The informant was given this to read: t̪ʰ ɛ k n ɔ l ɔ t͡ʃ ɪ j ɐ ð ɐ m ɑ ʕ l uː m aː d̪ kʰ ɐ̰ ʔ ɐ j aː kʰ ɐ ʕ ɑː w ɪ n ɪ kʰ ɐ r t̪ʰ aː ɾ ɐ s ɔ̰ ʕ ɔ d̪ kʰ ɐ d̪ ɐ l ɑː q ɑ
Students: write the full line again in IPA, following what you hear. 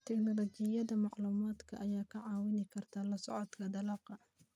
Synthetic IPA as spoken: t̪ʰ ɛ k n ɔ l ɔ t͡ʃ ɪ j ɐ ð ɐ m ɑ ʕ l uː m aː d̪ kʰ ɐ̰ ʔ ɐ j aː kʰ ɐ ʕ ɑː w ɪ n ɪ kʰ ɐ r t̪ʰ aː l ɐ s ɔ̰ ʕ ɔ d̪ kʰ ɐ d̪ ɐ l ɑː q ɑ